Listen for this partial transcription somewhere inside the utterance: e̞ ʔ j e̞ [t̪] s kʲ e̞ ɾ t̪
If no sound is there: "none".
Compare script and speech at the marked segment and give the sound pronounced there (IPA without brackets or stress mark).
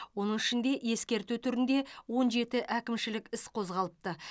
none